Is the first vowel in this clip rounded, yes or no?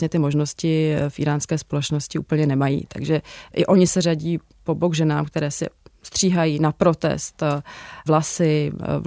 no